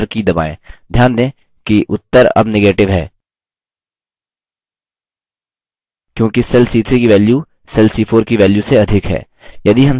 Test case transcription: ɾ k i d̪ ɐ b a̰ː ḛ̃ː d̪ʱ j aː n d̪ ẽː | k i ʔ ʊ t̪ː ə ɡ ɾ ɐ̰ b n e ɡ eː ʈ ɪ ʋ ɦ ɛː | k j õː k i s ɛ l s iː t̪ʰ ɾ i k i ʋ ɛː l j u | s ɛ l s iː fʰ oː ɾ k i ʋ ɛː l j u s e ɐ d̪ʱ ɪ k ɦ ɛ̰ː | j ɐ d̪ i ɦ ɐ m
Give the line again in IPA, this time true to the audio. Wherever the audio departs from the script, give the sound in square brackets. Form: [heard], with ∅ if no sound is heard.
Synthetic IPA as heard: ɾ k i d̪ ɐ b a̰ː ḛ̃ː d̪ʱ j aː n d̪ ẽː | k i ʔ ʊ t̪ː ə [∅] ɾ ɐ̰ b n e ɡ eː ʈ ɪ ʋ ɦ ɛː | k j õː k i s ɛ l s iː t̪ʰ ɾ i k i ʋ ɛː l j u | s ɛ l s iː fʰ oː ɾ k i ʋ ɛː l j u s e ɐ d̪ʱ ɪ k ɦ ɛ̰ː | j ɐ d̪ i ɦ ɐ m